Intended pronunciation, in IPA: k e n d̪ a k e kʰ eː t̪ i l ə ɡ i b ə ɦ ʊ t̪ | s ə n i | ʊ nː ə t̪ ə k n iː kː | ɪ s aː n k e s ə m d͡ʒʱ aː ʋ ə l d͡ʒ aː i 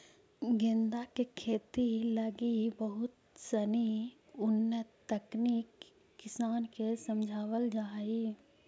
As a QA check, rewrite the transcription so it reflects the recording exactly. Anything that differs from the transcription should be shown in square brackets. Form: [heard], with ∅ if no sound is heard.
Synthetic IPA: [ɡ] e n d̪ a k e kʰ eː t̪ i l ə ɡ i b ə ɦ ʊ t̪ | s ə n i | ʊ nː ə t̪ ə k n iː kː | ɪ s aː n k e s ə m d͡ʒʱ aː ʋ ə l d͡ʒ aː i

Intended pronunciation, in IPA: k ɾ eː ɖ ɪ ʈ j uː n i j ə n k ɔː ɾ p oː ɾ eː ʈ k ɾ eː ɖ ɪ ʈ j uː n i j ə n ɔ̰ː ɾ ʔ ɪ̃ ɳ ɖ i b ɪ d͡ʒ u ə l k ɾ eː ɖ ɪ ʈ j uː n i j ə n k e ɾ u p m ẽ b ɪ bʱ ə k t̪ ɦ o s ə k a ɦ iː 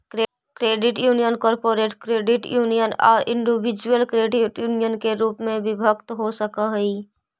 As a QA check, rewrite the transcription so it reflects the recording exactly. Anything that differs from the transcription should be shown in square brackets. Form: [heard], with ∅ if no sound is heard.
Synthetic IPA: k ɾ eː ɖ ɪ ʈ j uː n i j ə n k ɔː ɾ p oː ɾ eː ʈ k ɾ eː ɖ ɪ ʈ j uː n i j ə n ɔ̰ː ɾ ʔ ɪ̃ ɳ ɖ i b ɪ d͡ʒ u ə l k ɾ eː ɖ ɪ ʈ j uː n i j ə n k e ɾ [uː] p m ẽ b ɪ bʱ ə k t̪ ɦ o s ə k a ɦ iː

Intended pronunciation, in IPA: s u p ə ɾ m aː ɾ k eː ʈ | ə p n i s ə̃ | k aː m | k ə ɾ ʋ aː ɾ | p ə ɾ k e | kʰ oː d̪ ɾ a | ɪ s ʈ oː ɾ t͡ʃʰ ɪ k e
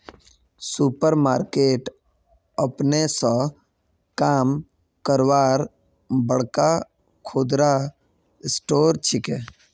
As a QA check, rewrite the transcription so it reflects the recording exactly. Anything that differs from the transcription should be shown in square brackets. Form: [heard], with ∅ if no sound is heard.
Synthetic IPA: s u p ə ɾ m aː ɾ k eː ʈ | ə p n [e] s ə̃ | k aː m | k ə ɾ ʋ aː ɾ | [b] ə [ɽ] k [a] | kʰ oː d̪ ɾ a | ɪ s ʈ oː ɾ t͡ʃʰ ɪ k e

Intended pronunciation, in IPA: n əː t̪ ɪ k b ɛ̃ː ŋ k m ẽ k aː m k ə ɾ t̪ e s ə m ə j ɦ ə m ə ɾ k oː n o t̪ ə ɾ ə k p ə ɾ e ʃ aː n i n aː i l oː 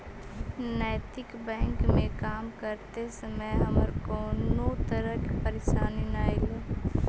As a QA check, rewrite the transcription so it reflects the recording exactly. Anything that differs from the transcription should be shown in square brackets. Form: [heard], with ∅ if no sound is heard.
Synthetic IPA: n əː t̪ ɪ k b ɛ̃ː ŋ k m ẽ k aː m k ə ɾ t̪ e s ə m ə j ɦ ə m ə ɾ k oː n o t̪ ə ɾ ə k p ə ɾ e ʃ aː n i n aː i l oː

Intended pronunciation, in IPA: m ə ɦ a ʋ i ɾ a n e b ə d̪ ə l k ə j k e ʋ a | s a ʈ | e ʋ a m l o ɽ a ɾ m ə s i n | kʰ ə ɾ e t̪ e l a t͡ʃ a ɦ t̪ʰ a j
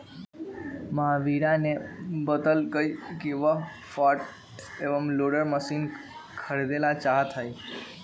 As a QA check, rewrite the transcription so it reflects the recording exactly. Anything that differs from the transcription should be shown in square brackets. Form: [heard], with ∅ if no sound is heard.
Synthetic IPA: m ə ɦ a ʋ i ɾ a n e b ə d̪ ə l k ə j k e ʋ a | [f] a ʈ | e ʋ [ə] m l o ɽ [ə] ɾ m ə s i n | kʰ ə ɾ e [d̪] e l a t͡ʃ a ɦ t̪ʰ a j

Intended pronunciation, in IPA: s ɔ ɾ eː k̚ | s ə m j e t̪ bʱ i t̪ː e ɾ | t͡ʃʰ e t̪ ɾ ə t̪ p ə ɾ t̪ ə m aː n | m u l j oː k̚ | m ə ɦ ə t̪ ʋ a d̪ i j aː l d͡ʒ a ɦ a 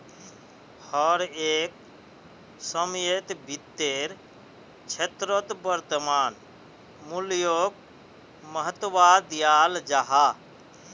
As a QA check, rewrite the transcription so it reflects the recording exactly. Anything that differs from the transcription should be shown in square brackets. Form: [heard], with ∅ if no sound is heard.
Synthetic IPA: [h] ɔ ɾ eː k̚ | s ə m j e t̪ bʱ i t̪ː e ɾ | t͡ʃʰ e t̪ ɾ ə t̪ [b] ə ɾ t̪ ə m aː n | m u l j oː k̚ | m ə ɦ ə t̪ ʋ a d̪ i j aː l d͡ʒ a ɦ a

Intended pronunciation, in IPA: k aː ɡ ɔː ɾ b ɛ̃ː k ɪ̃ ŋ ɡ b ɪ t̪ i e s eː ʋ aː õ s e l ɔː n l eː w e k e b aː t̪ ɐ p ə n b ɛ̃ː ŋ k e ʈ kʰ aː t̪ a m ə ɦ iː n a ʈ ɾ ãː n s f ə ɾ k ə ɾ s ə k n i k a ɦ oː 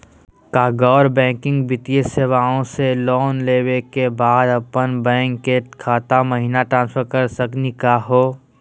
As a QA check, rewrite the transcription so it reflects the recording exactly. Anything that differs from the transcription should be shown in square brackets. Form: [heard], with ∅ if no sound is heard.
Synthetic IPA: k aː ɡ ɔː ɾ b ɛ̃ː k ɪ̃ ŋ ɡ b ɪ t̪ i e s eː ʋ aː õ s e l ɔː n l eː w e k e b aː [d̪] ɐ p ə n b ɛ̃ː ŋ k e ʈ kʰ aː t̪ a m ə ɦ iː n a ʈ ɾ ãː n s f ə ɾ k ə ɾ s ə k n i k a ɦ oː

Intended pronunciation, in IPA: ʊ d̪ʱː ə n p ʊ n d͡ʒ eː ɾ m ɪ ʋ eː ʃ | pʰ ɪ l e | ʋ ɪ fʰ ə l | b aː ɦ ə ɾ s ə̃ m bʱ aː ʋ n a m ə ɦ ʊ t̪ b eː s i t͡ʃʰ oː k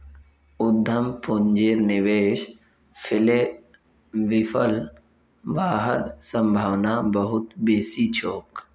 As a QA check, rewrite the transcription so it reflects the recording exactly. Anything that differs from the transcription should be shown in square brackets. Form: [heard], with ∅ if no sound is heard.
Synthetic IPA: ʊ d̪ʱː ə [m] p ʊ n d͡ʒ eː ɾ [n] ɪ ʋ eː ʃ | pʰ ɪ l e | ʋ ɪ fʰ ə l | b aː ɦ ə ɾ s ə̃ m bʱ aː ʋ n a [b] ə ɦ ʊ t̪ b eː s i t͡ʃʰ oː k

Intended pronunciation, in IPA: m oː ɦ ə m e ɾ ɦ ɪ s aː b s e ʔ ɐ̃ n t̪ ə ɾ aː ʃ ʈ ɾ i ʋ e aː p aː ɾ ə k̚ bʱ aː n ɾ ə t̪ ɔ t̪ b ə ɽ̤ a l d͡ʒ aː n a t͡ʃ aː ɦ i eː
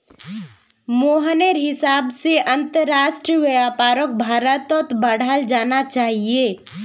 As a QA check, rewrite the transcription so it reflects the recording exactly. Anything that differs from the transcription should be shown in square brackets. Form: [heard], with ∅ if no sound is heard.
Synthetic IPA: m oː ɦ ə [n] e ɾ ɦ ɪ s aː b s e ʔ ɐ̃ n t̪ ə ɾ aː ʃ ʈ ɾ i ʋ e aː p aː ɾ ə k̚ bʱ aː [∅] ɾ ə t̪ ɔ t̪ b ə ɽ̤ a l d͡ʒ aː n a t͡ʃ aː ɦ i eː

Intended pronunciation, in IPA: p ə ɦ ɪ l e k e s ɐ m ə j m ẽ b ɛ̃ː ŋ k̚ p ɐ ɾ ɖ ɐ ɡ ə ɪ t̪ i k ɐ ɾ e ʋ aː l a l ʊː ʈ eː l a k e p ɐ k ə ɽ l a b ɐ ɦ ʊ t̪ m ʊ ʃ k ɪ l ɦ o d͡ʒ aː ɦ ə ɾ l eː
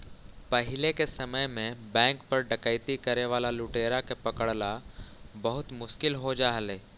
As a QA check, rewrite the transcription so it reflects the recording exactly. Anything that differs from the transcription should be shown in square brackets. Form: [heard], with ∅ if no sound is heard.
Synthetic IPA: p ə ɦ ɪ l e k e s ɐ m ə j m ẽ b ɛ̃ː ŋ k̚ p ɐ ɾ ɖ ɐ [k] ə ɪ t̪ i k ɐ ɾ e ʋ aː l a l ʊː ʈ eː [ɾ] a k e p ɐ k ə ɽ l a b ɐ ɦ ʊ t̪ m ʊ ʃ k ɪ l ɦ o d͡ʒ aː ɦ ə [∅] l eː

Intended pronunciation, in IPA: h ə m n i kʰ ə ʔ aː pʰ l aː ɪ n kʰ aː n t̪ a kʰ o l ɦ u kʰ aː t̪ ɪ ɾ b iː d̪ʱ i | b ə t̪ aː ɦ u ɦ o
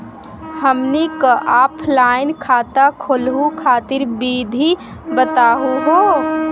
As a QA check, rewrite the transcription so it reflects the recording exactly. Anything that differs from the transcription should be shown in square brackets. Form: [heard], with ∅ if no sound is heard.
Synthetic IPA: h ə m n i [k] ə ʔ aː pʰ l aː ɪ n kʰ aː [∅] t̪ a kʰ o l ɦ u kʰ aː t̪ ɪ ɾ b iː d̪ʱ i | b ə t̪ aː ɦ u ɦ o

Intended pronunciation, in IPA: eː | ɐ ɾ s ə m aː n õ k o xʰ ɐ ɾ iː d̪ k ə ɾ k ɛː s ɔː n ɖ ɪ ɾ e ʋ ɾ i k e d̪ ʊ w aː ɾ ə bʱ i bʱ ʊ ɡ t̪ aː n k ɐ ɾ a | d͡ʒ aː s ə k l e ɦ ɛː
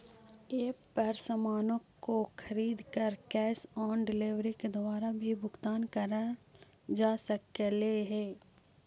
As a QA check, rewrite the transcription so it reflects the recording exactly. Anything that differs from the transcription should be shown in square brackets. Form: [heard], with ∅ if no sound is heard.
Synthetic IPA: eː | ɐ ɾ s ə m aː n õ k o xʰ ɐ ɾ iː d̪ k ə ɾ k ɛː s ɔː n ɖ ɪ [l] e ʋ ɾ i k e d̪ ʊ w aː ɾ [a] bʱ i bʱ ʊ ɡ t̪ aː n k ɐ ɾ a | d͡ʒ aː s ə k l e ɦ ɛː

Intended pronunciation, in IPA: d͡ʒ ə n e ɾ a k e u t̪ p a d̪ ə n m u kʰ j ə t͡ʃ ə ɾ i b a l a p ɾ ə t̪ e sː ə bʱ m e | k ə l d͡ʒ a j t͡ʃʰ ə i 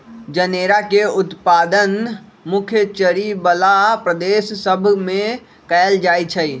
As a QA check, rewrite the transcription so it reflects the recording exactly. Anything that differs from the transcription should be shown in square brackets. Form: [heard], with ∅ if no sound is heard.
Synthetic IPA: d͡ʒ ə n e ɾ a k e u t̪ p a d̪ ə n m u kʰ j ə t͡ʃ ə ɾ i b [ə] l a p ɾ ə [d̪] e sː ə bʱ m e | k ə l d͡ʒ a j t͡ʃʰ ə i

